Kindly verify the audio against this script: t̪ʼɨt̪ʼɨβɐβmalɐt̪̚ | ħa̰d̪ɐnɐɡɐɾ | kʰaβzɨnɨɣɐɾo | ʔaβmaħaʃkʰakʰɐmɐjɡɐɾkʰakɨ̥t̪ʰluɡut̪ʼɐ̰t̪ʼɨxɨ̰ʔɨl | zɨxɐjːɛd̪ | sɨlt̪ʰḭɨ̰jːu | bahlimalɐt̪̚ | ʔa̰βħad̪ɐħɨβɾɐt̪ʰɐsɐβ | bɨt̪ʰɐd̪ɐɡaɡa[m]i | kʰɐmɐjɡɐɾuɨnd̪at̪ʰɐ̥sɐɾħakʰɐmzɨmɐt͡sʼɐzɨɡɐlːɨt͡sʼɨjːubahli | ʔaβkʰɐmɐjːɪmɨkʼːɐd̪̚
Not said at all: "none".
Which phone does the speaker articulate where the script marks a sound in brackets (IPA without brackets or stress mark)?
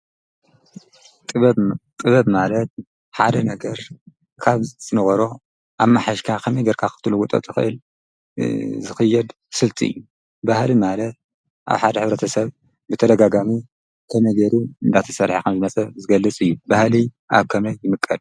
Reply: m